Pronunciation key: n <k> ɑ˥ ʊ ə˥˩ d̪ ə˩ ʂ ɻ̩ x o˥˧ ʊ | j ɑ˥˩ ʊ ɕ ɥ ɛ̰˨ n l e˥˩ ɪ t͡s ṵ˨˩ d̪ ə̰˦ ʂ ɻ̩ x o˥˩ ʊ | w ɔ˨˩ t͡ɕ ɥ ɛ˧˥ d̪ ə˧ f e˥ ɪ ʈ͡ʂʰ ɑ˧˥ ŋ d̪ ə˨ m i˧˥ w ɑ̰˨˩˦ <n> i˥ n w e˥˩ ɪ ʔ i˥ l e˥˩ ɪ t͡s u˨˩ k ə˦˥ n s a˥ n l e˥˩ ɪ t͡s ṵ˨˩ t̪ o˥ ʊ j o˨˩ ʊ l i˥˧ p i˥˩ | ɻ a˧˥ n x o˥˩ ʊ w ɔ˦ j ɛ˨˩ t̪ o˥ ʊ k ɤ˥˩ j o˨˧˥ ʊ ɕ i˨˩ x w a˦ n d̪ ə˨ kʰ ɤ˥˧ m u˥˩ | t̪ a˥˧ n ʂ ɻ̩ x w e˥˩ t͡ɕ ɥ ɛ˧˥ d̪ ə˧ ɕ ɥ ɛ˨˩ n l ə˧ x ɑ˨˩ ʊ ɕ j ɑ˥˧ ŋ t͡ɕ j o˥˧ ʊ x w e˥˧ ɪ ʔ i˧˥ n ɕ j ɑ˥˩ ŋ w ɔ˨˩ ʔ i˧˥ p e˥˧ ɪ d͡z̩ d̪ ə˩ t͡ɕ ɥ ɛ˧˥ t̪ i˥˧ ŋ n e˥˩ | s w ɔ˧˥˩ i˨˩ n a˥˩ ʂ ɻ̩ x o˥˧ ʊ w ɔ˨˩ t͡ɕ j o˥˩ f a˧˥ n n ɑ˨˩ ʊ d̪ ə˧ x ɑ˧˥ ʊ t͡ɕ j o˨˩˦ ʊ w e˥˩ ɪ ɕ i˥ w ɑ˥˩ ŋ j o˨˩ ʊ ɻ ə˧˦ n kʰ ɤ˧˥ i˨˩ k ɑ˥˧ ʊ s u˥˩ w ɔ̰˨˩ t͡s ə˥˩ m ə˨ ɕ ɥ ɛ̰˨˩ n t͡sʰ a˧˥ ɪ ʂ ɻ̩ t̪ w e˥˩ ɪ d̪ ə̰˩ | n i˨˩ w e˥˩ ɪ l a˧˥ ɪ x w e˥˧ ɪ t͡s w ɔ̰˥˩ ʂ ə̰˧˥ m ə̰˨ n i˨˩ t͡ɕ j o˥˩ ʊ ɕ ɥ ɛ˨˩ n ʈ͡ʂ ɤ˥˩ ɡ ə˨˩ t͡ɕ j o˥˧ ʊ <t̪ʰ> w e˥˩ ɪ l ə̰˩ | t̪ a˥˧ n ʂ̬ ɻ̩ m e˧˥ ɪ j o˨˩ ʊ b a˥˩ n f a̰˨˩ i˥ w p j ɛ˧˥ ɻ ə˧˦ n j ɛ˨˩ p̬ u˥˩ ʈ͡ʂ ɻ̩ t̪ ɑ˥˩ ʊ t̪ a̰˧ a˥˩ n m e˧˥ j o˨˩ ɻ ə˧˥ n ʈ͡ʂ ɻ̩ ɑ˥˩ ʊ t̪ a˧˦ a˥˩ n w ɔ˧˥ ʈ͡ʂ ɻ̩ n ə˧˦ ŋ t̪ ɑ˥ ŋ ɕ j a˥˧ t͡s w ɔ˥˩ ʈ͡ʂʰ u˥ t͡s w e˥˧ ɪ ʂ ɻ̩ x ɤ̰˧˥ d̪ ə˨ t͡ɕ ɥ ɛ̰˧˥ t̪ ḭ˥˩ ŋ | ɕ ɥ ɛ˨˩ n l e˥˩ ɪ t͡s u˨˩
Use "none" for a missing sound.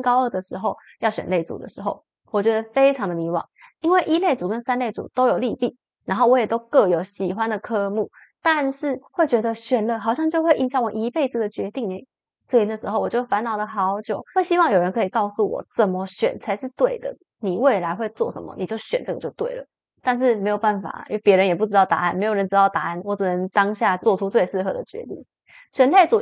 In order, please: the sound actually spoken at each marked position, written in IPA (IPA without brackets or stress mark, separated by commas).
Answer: k, ŋ, t̪